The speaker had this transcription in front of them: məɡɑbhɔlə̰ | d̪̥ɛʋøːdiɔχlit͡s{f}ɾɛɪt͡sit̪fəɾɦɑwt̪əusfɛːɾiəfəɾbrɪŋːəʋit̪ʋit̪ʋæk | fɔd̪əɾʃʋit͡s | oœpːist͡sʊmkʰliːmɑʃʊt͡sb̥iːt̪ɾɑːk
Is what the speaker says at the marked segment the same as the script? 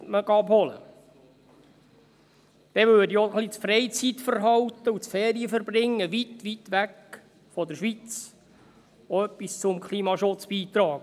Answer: yes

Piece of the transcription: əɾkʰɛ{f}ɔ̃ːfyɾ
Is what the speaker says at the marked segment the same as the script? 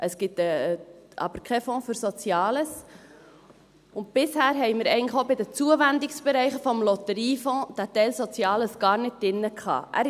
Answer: yes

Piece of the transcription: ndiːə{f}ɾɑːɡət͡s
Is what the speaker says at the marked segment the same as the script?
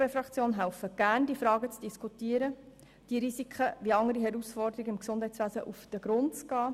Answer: yes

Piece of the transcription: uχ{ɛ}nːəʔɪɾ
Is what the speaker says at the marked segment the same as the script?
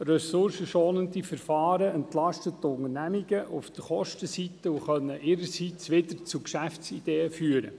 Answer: no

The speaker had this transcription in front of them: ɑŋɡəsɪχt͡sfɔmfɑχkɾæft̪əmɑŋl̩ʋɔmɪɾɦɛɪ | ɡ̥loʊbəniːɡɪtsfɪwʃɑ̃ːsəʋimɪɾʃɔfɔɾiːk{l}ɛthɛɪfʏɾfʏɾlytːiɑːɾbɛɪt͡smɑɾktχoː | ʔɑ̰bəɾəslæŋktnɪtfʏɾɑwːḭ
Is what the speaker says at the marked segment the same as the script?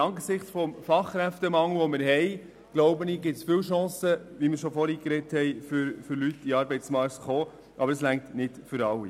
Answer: no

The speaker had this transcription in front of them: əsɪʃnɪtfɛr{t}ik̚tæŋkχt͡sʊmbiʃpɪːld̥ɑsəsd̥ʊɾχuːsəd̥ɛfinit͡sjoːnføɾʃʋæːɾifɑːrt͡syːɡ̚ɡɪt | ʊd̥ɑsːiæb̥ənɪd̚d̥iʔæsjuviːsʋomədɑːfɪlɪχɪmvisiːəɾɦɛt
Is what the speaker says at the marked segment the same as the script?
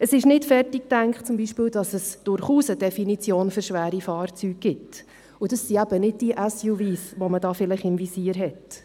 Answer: yes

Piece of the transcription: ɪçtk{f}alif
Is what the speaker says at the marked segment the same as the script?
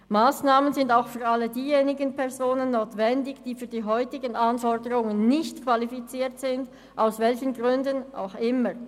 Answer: no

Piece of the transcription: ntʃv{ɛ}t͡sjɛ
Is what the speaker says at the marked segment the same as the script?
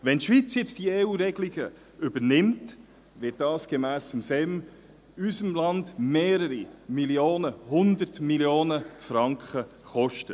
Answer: no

